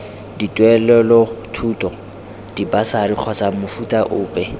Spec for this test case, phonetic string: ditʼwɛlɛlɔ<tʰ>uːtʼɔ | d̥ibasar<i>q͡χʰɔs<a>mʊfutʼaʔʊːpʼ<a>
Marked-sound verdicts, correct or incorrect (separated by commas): correct, correct, correct, incorrect